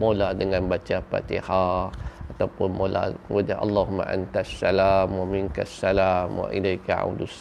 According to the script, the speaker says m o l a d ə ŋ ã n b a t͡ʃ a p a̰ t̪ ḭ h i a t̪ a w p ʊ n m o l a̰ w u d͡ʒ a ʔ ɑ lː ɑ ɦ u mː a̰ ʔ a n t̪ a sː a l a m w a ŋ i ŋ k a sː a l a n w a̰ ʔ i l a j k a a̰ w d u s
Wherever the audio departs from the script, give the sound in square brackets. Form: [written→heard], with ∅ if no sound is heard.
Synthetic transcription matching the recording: m o l a d ə ŋ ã n b a t͡ʃ a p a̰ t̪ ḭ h [i→a] a t̪ a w p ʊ n m o l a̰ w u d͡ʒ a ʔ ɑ lː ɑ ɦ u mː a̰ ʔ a n t̪ a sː a l a m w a [ŋ→m] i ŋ k a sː a l a [n→m] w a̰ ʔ i l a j k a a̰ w d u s